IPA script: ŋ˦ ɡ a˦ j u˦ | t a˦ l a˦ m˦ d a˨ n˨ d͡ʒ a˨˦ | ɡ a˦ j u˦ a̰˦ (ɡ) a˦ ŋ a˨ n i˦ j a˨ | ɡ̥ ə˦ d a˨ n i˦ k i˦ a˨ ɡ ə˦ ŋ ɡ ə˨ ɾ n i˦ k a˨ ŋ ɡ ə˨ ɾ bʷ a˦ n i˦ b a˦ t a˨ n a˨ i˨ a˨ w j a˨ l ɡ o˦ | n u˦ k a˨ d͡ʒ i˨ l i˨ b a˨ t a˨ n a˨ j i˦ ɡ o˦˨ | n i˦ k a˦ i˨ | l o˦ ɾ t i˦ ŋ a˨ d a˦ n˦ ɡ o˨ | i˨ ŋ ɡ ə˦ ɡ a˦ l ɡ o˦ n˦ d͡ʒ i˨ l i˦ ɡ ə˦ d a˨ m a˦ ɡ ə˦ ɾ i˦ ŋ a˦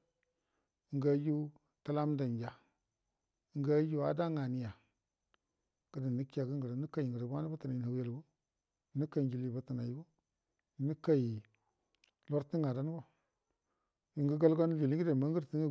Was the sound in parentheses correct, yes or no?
no